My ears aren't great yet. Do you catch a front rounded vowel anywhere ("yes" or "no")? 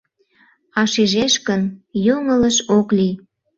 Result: no